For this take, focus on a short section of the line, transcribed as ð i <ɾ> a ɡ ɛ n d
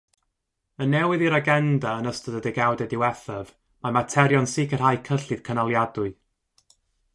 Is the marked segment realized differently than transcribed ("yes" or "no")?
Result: no